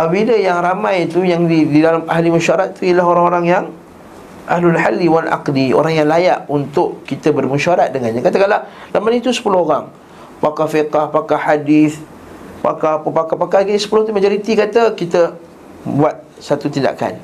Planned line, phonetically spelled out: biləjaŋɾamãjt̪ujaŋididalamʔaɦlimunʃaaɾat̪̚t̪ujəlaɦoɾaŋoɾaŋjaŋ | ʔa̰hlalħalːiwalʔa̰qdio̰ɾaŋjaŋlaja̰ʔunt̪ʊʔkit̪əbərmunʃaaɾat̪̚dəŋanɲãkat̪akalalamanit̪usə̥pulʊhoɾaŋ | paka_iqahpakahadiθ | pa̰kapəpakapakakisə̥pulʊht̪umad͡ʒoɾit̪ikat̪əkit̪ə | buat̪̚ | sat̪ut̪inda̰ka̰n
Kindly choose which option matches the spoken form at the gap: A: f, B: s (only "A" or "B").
A